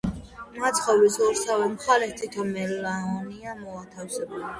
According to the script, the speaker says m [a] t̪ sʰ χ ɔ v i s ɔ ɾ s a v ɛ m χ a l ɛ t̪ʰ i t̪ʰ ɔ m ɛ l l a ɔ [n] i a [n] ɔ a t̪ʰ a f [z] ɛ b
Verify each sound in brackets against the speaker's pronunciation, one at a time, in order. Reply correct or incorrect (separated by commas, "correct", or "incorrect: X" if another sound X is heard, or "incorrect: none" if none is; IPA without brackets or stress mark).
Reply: correct, correct, incorrect: m, incorrect: s